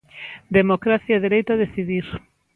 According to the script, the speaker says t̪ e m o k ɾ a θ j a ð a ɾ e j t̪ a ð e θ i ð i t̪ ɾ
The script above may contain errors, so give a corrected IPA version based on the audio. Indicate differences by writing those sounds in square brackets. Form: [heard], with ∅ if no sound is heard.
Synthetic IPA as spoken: [d̪] e m o k ɾ a θ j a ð [e] ɾ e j t̪ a ð e θ i ð i [∅] ɾ